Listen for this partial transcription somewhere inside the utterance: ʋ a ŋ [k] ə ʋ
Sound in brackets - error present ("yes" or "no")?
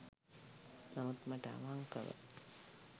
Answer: no